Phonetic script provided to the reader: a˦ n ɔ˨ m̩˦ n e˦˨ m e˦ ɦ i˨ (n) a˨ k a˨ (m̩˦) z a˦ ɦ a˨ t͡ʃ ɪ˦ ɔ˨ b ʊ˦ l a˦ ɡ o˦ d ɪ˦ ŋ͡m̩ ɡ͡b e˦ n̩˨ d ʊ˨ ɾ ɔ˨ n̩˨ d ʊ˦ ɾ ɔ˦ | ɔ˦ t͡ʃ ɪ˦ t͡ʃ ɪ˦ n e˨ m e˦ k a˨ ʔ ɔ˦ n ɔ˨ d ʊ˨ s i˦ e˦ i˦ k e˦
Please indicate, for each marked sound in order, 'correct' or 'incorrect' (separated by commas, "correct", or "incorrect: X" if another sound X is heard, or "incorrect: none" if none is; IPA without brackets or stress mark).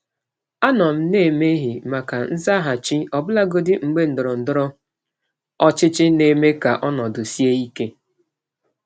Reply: incorrect: m, incorrect: n̩˦